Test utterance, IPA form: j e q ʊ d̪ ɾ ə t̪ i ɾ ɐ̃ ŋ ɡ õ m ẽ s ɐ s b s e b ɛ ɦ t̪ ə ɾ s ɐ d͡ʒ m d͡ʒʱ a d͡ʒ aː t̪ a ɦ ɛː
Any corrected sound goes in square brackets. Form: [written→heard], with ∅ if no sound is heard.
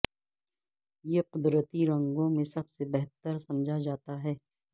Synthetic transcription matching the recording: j e q ʊ d̪ ɾ ə t̪ i ɾ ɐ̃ ŋ ɡ õ m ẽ s ɐ [s→∅] b s e b ɛ ɦ t̪ ə ɾ s ɐ [d͡ʒ→∅] m d͡ʒʱ a d͡ʒ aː t̪ a ɦ ɛː

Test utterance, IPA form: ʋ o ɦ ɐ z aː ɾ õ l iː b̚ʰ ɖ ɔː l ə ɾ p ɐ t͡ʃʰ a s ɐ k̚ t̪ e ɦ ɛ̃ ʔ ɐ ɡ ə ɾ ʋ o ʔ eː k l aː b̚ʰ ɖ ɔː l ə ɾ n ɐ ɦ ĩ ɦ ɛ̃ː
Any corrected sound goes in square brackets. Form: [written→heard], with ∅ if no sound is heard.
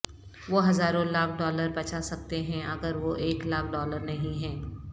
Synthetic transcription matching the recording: ʋ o ɦ ɐ z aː ɾ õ l [iː→aː] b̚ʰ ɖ ɔː l ə ɾ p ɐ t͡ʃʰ a s ɐ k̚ t̪ e ɦ ɛ̃ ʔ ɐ ɡ ə ɾ ʋ o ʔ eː k l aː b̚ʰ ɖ ɔː l ə ɾ n ɐ ɦ ĩ ɦ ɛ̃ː

